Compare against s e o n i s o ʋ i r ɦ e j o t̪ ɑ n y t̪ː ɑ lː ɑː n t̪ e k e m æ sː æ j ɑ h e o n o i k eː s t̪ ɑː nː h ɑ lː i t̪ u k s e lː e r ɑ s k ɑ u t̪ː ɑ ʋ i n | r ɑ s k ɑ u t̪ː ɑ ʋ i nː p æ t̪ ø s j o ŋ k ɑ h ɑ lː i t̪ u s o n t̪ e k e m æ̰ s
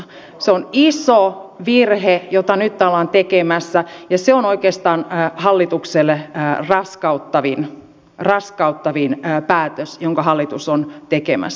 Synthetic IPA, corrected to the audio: s e o n i s o ʋ i r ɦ e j o t̪ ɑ n y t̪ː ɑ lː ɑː n t̪ e k e m æ sː æ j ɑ s e o n o i k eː s t̪ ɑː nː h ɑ lː i t̪ u k s e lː e r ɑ s k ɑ u t̪ː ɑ ʋ i n | r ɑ s k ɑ u t̪ː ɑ ʋ i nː p æː t̪ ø s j o ŋ k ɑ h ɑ lː i t̪ u s o n t̪ e k e m æ̰ s